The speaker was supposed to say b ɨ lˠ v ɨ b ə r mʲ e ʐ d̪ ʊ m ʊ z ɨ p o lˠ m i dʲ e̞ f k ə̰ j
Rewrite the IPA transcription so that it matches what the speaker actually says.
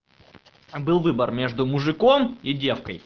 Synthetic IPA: b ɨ lˠ v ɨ b ə r mʲ e ʐ d̪ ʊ m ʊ ʐ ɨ k o m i dʲ e̞ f k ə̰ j